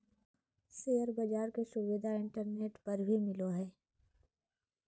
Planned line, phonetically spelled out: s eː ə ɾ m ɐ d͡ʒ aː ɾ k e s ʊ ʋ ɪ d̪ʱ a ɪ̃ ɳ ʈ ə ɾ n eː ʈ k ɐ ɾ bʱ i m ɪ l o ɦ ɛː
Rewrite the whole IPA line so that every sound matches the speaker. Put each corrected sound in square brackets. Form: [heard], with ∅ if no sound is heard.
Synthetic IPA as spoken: s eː ə ɾ [b] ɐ d͡ʒ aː ɾ k e s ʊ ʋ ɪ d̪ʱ a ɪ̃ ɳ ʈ ə ɾ n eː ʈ [p] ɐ ɾ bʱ i m ɪ l o ɦ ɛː